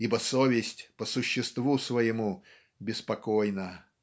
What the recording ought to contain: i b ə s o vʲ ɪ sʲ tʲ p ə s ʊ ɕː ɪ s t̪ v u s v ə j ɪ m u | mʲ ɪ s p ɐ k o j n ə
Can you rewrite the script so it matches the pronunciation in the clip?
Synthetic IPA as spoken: i b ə s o vʲ ɪ sʲ tʲ p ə s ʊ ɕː ɪ s t̪ v u s v ə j ɪ m u | bʲ ɪ s p ɐ k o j n ə